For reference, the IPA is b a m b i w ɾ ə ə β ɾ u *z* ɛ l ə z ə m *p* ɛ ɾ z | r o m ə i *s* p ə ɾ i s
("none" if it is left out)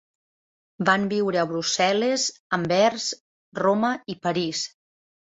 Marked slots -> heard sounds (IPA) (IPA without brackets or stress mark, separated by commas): s, b, none